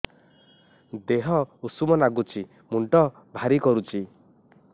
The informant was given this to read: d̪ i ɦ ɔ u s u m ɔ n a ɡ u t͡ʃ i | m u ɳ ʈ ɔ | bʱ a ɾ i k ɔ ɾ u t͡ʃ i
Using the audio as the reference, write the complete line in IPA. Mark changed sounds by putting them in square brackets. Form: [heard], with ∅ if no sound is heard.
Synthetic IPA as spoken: d̪ [e] ɦ ɔ u s u m ɔ n a ɡ u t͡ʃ i | m u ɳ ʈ ɔ | bʱ a ɾ i k ɔ ɾ u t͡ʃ i

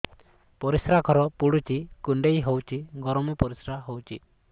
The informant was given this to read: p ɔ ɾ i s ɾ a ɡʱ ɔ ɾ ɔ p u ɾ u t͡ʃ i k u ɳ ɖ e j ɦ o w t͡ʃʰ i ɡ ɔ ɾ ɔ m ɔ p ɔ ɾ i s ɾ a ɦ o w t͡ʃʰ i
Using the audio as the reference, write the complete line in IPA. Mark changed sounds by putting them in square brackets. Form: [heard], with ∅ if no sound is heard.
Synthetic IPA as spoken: p ɔ ɾ i s ɾ a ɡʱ ɔ ɾ ɔ p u [ɽ] u t͡ʃ i k u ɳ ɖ e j ɦ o w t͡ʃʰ i ɡ ɔ ɾ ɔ m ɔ p ɔ ɾ i s ɾ a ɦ o w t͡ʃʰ i

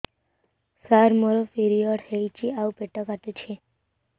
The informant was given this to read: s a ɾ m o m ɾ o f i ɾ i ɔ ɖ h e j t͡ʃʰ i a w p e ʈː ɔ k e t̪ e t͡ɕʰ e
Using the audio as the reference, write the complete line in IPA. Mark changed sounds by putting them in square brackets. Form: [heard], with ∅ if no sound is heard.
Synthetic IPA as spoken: s a ɾ m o [∅] ɾ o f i ɾ i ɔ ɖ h e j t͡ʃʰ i a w p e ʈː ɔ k [a] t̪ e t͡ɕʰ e

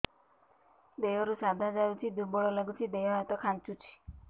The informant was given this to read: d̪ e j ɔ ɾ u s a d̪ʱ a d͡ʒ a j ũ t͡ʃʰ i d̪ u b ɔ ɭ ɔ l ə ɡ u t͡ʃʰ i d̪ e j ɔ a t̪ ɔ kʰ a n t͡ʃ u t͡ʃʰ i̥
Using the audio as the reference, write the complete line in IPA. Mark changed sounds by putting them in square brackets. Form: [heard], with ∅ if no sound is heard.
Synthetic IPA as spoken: d̪ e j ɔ ɾ u s a d̪ʱ a d͡ʒ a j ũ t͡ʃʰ i d̪ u b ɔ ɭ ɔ l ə ɡ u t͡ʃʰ i d̪ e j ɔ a t̪ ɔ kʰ a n t͡ʃ u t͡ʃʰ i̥

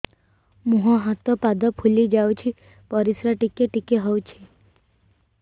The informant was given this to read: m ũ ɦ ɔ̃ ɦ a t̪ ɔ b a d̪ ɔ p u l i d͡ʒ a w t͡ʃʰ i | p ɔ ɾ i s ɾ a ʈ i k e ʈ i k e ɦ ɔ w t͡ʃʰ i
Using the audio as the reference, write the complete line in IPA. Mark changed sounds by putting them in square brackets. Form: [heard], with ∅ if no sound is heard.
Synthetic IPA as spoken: m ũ ɦ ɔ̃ ɦ a t̪ ɔ [p] a d̪ ɔ [pʰ] u l i d͡ʒ a w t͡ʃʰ i | p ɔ ɾ i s ɾ a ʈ i k e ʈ i k e ɦ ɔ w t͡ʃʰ i

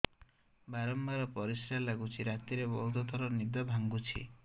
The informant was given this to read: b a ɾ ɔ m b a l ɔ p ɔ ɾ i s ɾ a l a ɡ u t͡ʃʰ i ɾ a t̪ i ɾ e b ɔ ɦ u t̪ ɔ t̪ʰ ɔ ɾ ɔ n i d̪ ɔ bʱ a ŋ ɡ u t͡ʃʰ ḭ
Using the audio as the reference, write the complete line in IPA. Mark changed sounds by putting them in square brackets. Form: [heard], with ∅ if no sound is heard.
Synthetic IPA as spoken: b a ɾ ɔ m b a [ɾ] ɔ p ɔ ɾ i s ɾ a l a ɡ u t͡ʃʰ i ɾ a t̪ i ɾ e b ɔ ɦ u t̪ ɔ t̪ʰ ɔ ɾ ɔ n i d̪ ɔ bʱ a ŋ ɡ u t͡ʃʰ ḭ

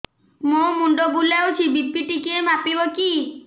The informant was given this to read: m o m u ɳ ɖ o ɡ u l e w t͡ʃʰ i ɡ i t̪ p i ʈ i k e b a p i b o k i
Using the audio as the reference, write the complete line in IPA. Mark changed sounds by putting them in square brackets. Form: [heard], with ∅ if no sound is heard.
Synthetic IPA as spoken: m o m u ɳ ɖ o [b] u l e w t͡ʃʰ i [b] i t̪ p i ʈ i k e [m] a p i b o k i

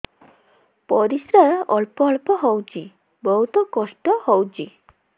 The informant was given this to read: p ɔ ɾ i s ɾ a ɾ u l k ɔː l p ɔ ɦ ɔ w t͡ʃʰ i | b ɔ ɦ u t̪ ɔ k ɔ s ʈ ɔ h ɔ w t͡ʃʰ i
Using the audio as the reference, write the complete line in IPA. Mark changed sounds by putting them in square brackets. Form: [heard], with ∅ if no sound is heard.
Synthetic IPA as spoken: p ɔ ɾ i s ɾ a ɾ [ɔ] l [p] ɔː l p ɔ ɦ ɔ w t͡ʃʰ i | b ɔ ɦ u t̪ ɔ k ɔ s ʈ ɔ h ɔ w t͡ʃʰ i

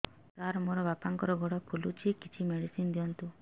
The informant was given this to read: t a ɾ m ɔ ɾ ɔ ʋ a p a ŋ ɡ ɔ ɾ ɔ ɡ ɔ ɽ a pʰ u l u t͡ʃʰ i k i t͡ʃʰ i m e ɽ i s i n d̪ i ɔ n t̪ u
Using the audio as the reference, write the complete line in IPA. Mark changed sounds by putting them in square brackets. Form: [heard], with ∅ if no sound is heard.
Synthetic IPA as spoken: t a ɾ m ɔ ɾ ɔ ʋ a p a ŋ [k] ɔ ɾ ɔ ɡ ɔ ɽ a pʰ u l u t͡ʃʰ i k i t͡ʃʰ i m e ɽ i s i n d̪ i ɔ n t̪ u

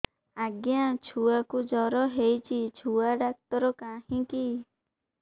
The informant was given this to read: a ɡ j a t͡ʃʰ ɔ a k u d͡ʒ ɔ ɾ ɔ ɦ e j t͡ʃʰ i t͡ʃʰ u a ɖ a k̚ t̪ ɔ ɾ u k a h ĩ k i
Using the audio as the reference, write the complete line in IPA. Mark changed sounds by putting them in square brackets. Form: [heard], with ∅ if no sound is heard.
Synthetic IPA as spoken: a ɡ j a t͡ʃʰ [u] a k u d͡ʒ ɔ ɾ ɔ ɦ e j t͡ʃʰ i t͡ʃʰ u a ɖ a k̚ t̪ ɔ ɾ [ɔ] k a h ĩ k i

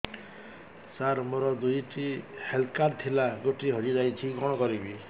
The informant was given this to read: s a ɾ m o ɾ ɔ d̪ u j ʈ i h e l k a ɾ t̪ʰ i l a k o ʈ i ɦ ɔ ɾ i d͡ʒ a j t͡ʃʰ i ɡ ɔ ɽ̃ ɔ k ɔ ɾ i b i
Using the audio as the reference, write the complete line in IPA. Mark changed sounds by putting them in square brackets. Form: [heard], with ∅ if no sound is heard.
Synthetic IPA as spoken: s a ɾ m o ɾ ɔ d̪ u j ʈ i h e l k a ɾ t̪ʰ i l a [ɡ] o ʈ i ɦ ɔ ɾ i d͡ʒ a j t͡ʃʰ i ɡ ɔ ɽ̃ ɔ k ɔ ɾ i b i

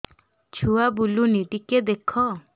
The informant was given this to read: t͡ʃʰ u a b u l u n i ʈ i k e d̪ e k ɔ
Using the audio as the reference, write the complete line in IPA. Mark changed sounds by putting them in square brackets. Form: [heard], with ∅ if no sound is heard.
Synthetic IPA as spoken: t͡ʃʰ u a b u l u n i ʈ i k e d̪ e [kʰ] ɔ

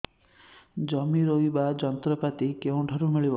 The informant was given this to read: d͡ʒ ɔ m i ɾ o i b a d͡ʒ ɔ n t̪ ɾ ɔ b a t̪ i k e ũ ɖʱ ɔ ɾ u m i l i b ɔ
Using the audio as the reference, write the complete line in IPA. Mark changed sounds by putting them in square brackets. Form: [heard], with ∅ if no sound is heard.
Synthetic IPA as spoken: d͡ʒ ɔ m i ɾ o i b a d͡ʒ ɔ n t̪ ɾ ɔ [p] a t̪ i k e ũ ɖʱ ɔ ɾ u m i [ɭ] i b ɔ

